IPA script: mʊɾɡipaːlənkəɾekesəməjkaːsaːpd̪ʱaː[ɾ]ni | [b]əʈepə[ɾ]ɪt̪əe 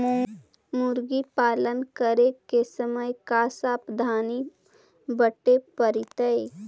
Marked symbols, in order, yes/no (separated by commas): no, yes, yes